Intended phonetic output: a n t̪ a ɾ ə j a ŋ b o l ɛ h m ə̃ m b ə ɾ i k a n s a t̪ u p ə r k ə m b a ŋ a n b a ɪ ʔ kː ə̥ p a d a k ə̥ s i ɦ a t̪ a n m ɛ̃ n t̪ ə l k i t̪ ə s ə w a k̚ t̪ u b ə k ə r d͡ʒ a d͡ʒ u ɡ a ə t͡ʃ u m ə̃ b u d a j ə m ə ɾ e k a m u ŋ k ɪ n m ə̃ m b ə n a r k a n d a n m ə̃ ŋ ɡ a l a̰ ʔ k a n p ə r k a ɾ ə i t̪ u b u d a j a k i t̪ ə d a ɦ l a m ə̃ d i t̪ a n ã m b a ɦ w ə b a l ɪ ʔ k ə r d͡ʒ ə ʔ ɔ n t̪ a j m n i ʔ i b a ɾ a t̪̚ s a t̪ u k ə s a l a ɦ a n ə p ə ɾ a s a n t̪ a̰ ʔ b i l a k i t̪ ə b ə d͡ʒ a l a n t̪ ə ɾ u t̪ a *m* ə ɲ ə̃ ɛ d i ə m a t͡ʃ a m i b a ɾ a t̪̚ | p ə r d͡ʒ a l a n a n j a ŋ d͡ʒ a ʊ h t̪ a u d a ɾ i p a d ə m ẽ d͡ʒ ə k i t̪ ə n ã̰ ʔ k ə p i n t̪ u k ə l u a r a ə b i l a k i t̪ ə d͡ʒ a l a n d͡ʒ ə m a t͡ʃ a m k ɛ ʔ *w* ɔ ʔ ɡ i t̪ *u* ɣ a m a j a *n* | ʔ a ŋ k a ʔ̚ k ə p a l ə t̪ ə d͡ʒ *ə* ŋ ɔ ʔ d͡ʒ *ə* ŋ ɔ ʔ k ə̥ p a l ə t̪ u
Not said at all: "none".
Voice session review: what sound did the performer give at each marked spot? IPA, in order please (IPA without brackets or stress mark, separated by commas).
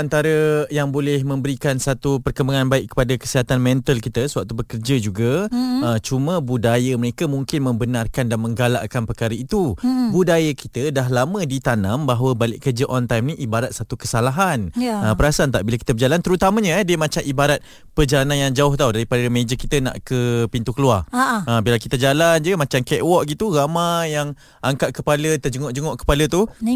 m, w, u, ŋ, ə, ə